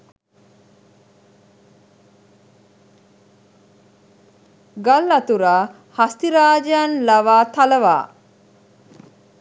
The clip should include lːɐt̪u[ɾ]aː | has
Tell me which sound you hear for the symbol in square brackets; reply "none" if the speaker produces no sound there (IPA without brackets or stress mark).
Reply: ɾ